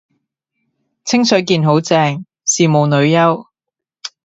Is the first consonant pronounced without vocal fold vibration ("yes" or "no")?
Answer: yes